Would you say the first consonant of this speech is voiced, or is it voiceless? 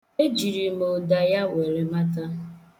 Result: voiced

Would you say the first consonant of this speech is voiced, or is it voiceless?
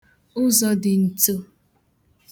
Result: voiced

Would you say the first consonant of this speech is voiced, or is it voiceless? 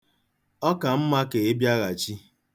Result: voiceless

